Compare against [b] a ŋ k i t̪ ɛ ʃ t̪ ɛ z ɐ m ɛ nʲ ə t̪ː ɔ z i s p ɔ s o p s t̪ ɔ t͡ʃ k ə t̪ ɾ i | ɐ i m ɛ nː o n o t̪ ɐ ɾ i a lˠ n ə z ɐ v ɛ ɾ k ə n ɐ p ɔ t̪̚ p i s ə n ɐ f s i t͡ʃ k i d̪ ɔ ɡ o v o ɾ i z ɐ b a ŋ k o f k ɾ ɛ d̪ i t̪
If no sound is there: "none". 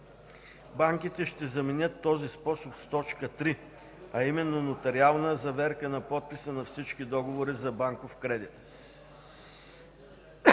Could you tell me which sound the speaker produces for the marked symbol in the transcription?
b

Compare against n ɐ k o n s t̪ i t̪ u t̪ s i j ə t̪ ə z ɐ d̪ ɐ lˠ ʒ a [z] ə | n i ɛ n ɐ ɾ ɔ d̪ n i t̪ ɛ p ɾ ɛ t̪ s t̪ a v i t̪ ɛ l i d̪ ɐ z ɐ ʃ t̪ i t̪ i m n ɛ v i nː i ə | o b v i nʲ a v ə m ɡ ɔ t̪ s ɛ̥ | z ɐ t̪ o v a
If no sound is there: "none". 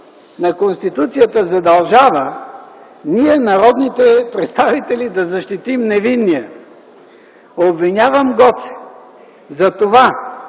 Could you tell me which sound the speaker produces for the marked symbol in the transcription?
v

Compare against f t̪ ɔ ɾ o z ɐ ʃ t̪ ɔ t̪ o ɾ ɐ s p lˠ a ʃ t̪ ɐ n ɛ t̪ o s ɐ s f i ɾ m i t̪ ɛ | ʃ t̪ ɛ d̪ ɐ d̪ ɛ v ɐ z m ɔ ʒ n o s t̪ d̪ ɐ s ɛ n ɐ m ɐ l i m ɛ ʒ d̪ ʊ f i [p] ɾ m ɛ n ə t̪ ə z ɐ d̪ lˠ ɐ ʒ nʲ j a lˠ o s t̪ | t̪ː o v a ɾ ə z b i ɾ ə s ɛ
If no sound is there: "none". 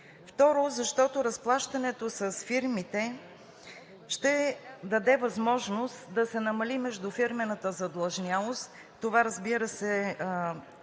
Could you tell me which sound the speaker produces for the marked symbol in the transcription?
none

